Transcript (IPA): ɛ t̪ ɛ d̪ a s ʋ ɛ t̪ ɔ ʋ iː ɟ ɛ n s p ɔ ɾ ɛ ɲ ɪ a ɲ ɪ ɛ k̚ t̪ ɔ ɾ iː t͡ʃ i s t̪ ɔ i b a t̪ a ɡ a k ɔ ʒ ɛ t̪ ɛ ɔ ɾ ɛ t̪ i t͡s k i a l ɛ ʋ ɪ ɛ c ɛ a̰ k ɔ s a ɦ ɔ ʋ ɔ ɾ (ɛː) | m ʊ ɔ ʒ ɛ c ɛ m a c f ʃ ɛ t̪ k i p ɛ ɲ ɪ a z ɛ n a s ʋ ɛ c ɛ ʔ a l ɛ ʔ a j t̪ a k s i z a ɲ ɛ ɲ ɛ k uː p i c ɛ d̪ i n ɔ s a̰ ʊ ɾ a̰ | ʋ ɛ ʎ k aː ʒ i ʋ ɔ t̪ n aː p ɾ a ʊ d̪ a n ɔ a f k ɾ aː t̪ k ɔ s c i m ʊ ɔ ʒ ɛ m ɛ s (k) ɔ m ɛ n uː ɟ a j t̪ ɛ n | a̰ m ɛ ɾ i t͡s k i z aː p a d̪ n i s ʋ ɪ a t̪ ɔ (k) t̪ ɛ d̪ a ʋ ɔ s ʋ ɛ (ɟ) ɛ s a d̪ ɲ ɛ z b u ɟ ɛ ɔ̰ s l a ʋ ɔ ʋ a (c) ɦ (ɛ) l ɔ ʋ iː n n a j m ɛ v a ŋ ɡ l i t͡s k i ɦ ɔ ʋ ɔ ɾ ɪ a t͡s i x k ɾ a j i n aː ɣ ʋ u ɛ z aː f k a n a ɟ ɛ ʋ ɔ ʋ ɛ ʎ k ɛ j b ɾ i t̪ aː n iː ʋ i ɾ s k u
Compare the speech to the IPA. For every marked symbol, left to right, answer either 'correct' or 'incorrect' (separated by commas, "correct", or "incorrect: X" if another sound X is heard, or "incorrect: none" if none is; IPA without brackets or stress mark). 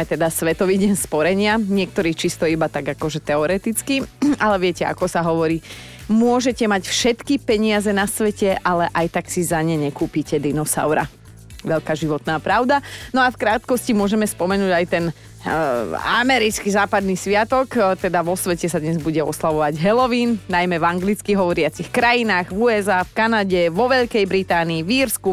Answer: incorrect: iː, incorrect: p, correct, incorrect: c, incorrect: ɟ, correct